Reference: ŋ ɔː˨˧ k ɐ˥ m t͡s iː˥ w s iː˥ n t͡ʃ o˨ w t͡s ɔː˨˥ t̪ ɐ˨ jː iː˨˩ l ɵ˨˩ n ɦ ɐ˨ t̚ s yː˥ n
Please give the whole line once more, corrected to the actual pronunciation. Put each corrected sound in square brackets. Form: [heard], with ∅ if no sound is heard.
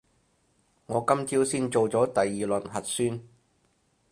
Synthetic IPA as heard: ŋ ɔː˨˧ k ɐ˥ m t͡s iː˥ w s iː˥ n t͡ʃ o˨ w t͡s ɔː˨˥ t̪ ɐ˨ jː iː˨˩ l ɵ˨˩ n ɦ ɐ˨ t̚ s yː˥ n